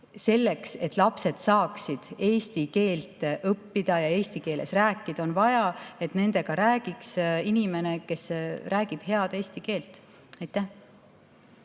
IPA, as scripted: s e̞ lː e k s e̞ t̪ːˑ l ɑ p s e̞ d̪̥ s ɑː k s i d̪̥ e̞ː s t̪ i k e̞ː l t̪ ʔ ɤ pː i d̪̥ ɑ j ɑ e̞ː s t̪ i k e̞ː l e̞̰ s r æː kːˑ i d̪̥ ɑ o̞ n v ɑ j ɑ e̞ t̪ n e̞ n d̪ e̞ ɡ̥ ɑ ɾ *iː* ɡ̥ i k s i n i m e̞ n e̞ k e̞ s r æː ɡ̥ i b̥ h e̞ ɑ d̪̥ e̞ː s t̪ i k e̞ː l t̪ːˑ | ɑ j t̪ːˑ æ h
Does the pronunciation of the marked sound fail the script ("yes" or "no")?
yes